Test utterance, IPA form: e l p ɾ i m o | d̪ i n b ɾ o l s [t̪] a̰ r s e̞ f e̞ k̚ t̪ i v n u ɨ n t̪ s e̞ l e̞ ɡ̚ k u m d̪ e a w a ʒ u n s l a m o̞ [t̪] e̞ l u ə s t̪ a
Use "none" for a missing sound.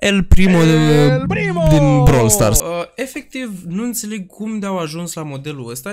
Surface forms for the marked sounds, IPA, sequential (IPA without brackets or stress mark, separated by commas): t̪, d̪